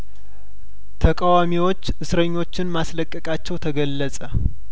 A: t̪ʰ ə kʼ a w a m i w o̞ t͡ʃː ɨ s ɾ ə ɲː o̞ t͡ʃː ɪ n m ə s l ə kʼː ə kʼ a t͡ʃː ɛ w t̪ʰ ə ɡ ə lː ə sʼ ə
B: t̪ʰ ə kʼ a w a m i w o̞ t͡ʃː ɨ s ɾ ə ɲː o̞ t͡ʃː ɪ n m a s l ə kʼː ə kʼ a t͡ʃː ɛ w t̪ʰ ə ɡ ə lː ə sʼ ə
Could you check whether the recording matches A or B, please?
B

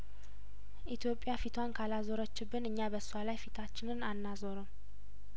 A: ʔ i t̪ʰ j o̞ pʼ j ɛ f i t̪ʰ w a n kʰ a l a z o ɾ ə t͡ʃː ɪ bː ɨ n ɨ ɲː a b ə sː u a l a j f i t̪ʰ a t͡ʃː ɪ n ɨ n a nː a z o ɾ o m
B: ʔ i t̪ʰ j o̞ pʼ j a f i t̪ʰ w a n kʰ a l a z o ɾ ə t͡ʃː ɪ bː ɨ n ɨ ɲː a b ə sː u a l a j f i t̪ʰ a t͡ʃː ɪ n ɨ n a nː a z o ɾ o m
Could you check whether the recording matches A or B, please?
B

